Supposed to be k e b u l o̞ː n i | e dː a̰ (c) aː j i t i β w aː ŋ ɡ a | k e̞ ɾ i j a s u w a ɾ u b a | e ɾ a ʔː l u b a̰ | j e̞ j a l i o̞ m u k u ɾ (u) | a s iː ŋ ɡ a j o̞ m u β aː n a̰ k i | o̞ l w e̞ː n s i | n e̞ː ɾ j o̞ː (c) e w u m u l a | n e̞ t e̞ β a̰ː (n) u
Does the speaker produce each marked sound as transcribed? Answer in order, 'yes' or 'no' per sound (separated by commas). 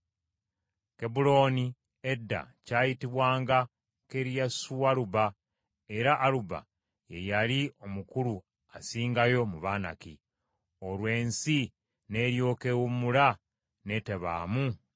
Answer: yes, yes, no, no